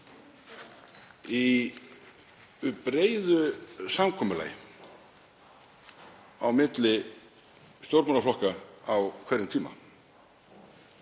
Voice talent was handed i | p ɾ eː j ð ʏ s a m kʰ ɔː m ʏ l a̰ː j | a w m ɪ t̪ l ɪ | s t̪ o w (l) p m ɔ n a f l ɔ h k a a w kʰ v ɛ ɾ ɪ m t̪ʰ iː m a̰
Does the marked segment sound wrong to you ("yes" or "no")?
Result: yes